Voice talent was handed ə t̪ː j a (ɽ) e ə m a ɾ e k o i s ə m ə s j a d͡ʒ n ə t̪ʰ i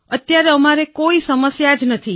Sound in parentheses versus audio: incorrect: ɾ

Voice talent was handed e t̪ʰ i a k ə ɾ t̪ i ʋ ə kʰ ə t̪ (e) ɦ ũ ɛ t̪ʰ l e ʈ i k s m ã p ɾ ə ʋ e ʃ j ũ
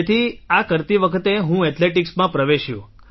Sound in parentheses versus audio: correct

